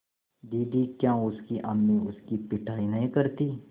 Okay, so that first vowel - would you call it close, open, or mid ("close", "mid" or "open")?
close